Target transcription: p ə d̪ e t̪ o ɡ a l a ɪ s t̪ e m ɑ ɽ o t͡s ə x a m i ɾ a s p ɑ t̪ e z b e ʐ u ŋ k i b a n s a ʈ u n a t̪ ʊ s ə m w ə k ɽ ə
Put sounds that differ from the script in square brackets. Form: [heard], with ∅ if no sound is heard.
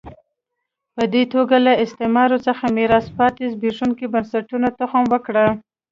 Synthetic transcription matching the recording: p ə d̪ e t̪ o ɡ a l a ɪ s t̪ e m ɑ [ɾ] o t͡s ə x a m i ɾ [ɑ] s p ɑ t̪ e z b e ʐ u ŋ k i b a n s a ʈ u n a t̪ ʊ [x] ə m w ə k ɽ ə